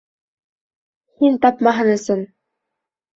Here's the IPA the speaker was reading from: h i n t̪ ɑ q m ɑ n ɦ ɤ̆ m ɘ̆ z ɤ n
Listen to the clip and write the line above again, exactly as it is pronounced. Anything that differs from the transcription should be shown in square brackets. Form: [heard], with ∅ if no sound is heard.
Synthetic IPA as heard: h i n t̪ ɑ [p] m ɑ [∅] ɦ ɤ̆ [n] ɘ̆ [s] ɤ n